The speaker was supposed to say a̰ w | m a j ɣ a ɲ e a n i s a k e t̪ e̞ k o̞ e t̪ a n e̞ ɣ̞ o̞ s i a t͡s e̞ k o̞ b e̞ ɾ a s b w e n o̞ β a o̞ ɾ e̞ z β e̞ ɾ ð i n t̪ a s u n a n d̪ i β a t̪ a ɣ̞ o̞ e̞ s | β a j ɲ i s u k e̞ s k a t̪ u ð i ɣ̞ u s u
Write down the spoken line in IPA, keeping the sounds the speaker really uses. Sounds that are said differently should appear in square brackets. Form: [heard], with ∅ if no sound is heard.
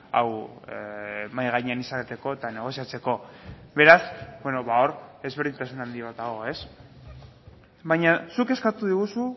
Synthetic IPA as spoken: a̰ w | m a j ɣ a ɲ e a n i s a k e t̪ e̞ k o̞ e t̪ a n e̞ ɣ̞ o̞ s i a t͡s e̞ k o̞ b e̞ ɾ a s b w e n o̞ β a o̞ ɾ e̞ z β e̞ ɾ ð i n t̪ a s u n a n d̪ i β a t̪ a ɣ̞ o̞ e̞ s | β a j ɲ [a] s u k e̞ s k a t̪ u ð i ɣ̞ u s u